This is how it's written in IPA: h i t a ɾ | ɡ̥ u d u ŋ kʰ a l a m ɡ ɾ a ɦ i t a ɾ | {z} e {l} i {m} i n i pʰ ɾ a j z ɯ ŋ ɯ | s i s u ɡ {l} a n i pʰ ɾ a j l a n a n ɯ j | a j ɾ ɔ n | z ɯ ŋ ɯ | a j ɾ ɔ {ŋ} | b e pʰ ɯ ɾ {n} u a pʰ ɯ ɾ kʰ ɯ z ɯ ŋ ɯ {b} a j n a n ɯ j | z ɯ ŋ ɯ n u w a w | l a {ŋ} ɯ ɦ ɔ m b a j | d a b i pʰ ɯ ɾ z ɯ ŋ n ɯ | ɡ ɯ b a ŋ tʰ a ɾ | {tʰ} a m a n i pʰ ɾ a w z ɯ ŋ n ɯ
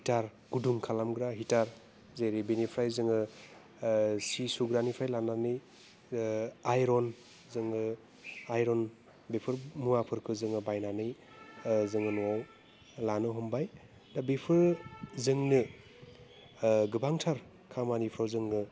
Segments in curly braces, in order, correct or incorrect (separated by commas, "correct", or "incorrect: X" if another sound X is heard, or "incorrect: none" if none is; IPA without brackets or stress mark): correct, incorrect: ɾ, incorrect: b, incorrect: ɾ, incorrect: n, incorrect: m, correct, incorrect: n, incorrect: kʰ